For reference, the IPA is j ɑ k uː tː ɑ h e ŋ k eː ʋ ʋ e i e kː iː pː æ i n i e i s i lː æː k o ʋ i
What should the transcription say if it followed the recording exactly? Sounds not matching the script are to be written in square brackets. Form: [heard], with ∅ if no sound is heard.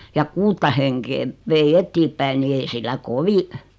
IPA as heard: j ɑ k uː tː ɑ h e ŋ k eː ʋ ʋ e i e [tː] iː pː æ i n i e i s i lː [æ] k o ʋ i